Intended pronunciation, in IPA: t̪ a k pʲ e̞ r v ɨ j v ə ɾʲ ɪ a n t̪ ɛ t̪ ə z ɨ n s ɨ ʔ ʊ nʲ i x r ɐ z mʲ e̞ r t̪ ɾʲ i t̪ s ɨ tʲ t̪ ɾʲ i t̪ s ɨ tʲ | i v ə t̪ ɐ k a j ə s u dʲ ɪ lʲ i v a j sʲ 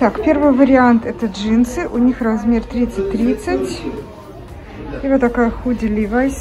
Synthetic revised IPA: t̪ a k pʲ e̞ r v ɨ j v ə ɾʲ ɪ a n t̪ ɛ t̪ ə ʐ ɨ n s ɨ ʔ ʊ nʲ i x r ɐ z mʲ e̞ r t̪ ɾʲ i t̪ s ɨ tʲ t̪ ɾʲ i t̪ s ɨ tʲ | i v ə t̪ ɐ k a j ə x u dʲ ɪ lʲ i v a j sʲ

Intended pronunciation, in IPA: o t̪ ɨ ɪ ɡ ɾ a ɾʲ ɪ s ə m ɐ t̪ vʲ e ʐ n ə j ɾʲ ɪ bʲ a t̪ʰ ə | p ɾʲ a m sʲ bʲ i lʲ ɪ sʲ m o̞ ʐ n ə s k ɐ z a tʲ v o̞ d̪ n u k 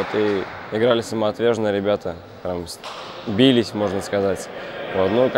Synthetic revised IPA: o t̪ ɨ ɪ ɡ ɾ a lʲ ɪ s ə m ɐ t̪ vʲ e ʐ n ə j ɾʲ ɪ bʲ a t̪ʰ ə | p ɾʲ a m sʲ bʲ i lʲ ɪ sʲ m o̞ ʐ n ə s k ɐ z a tʲ v o̞ t̪ n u k

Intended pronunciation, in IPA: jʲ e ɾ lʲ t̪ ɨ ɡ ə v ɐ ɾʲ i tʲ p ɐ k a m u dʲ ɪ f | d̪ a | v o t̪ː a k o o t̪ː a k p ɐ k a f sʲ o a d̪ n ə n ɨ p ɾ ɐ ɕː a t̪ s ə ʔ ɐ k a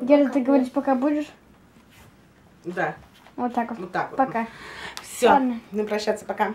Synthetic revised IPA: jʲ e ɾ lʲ t̪ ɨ ɡ ə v ɐ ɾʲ i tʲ p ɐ k a b u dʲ ɪ ʂ | d̪ a | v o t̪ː a k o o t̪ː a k p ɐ k a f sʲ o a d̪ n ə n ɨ p ɾ ɐ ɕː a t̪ s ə p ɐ k a

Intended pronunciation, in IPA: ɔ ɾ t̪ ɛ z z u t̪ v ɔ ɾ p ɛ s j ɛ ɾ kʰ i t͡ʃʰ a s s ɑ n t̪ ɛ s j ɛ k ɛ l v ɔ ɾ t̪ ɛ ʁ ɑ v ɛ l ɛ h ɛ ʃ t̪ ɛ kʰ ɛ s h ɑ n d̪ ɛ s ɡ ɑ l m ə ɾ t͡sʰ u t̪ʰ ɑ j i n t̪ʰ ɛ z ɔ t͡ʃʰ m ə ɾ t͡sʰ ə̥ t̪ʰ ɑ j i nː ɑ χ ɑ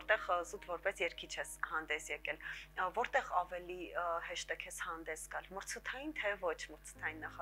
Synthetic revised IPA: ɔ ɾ t̪ ɛ ʁ z u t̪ v ɔ ɾ p ɛ s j ɛ ɾ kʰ i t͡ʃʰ ɛ s h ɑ n d̪ ɛ s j ɛ k ɛ l v ɔ ɾ t̪ ɛ ʁ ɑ v ɛ l i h ɛ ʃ t̪ ɛ kʰ ɛ s h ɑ n d̪ ɛ s ɡ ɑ l m ə ɾ t͡sʰ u t̪ʰ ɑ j i n t̪ʰ ɛ v ɔ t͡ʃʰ m ə ɾ t͡sʰ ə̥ t̪ʰ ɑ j i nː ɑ χ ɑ

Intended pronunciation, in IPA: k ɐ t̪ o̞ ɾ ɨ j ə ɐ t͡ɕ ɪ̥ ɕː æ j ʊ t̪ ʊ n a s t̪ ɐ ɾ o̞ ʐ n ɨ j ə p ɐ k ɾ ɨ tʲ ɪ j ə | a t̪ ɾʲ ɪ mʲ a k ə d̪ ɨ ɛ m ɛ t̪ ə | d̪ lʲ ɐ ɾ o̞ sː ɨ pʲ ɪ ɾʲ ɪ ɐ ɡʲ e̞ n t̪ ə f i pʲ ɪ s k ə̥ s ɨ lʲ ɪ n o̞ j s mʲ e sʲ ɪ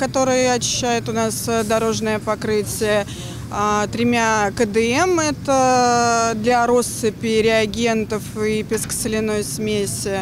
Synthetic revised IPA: k ɐ t̪ o̞ ɾ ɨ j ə ɐ t͡ɕ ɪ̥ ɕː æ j ʊ t̪ ʊ n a s d̪ ɐ ɾ o̞ ʐ n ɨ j ə p ɐ k ɾ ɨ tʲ ɪ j ə | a t̪ ɾʲ ɪ mʲ a k ə d̪ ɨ ɛ m ɛ t̪ ə | d̪ lʲ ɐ ɾ o̞ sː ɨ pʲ ɪ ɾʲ ɪ ɐ ɡʲ e̞ n t̪ ə f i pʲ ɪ s k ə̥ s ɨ lʲ ɪ n o̞ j s mʲ e sʲ ɪ

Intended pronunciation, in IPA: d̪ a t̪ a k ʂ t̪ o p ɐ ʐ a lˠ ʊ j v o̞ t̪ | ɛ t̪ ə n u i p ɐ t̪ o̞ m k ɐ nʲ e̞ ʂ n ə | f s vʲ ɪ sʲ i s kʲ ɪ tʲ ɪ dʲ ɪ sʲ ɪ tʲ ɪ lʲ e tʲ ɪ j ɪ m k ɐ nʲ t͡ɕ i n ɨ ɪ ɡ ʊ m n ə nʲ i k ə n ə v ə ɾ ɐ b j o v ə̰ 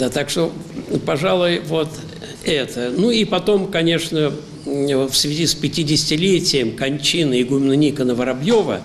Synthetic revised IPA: d̪ a t̪ a k ʂ t̪ o p ɐ ʐ a lˠ ʊ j v o̞ t̪ | ɛ t̪ ə n u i p ɐ t̪ o̞ m k ɐ nʲ e̞ ʂ n ə | f s vʲ ɪ zʲ i s pʲ ɪ tʲ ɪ dʲ ɪ sʲ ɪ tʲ ɪ lʲ e tʲ ɪ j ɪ m k ɐ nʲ t͡ɕ i n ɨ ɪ ɡ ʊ m n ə nʲ i k ə n ə v ə ɾ ɐ b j o v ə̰

